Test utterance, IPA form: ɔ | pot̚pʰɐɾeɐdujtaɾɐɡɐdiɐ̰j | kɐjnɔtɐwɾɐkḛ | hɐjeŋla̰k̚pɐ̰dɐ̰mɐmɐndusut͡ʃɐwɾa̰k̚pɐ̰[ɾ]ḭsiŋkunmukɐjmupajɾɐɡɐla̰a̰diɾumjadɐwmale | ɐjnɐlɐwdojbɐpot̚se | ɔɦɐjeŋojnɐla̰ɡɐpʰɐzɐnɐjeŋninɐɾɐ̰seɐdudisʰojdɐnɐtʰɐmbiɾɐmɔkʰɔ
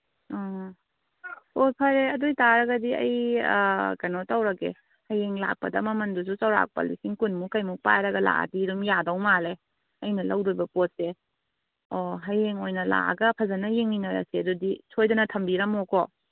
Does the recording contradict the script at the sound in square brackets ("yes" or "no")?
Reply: yes